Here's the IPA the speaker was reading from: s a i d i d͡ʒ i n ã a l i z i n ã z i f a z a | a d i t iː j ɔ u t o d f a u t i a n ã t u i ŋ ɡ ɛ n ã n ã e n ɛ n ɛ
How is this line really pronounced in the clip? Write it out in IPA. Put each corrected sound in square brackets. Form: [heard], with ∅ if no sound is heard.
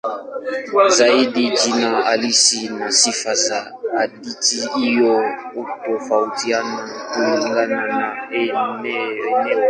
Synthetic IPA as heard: [z] a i d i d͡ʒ i n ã a l i [s] i n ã [s] i f a z a | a d i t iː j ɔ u t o [∅] f a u t i a n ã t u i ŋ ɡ [a] n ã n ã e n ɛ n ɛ